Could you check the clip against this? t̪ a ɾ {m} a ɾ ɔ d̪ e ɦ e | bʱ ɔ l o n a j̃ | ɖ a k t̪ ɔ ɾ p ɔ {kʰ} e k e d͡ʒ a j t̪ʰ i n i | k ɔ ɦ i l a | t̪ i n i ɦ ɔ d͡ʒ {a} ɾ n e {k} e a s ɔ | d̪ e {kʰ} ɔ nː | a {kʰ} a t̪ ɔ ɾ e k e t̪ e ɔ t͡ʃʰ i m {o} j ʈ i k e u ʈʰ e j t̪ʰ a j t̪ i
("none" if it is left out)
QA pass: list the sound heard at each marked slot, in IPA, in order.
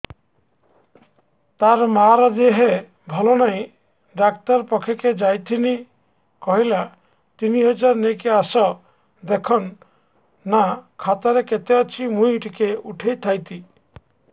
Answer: m, kʰ, a, k, kʰ, kʰ, u

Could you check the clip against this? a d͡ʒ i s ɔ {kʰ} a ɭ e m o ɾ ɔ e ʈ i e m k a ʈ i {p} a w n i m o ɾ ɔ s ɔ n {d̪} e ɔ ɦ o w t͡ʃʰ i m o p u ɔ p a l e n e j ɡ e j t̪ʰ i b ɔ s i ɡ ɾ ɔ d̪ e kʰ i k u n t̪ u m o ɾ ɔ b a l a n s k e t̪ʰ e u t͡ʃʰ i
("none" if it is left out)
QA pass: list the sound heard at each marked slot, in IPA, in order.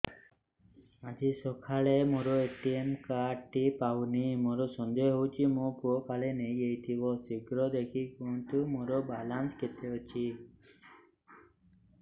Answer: kʰ, p, d̪

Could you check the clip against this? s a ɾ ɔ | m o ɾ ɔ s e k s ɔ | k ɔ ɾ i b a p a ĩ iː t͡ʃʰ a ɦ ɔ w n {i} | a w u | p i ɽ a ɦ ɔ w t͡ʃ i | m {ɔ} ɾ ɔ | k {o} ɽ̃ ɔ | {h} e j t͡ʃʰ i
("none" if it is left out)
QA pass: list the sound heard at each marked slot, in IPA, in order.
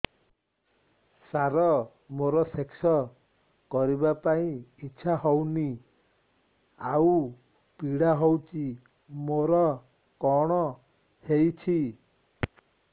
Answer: i, o, ɔ, h

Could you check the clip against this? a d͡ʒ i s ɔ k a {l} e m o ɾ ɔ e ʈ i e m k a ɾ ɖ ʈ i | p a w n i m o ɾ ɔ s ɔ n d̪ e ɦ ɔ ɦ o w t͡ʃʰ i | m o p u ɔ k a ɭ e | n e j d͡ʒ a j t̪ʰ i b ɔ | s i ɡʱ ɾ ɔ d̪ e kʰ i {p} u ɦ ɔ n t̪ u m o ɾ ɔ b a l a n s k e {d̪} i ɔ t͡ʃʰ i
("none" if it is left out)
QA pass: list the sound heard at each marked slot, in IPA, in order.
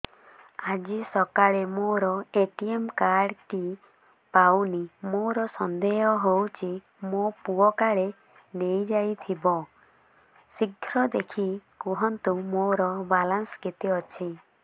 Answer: ɭ, k, t̪

